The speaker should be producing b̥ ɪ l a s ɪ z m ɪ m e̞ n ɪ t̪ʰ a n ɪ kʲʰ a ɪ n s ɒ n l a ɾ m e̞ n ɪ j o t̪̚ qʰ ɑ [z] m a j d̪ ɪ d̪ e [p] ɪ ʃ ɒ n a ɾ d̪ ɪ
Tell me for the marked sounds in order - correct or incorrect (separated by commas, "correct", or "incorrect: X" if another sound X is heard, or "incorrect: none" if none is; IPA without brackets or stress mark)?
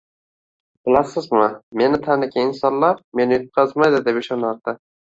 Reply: correct, correct